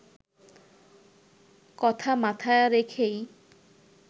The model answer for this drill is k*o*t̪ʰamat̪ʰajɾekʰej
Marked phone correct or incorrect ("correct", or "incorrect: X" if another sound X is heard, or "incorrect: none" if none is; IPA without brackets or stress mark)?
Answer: incorrect: ɔ